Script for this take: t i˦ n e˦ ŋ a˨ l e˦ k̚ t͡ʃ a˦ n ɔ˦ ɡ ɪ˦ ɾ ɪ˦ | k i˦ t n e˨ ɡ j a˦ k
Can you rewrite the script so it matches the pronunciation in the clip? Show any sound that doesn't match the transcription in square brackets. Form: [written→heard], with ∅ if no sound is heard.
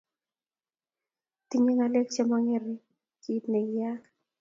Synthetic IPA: t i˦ [n→ɲ] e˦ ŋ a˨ l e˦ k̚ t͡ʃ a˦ [n→m] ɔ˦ [ɡ→ŋ] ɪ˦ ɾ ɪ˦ | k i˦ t n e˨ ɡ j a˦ k